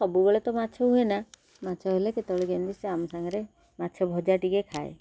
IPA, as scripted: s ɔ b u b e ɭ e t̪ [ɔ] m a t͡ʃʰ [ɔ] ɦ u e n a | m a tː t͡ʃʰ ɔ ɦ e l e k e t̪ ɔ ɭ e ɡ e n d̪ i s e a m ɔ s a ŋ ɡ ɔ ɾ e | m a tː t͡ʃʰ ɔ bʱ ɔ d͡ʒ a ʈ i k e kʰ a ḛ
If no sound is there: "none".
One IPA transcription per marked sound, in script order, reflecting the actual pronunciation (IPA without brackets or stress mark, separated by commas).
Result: ɔ, ɔ